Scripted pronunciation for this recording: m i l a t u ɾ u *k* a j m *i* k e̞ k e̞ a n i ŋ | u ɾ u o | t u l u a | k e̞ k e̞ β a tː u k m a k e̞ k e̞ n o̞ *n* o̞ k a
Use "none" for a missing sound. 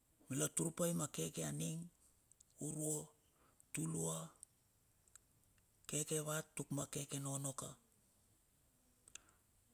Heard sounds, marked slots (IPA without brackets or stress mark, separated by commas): p, a, n